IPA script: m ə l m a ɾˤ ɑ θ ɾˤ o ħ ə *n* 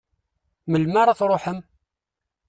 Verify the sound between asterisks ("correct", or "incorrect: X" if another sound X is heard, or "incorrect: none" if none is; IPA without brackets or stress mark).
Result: incorrect: m